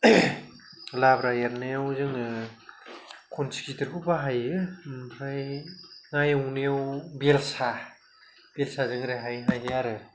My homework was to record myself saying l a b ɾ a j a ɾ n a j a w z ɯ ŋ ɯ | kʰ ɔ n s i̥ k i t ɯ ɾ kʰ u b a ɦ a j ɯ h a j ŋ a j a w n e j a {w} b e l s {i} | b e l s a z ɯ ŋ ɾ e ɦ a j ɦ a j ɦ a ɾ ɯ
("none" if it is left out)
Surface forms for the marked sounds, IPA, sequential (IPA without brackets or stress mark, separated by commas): w, a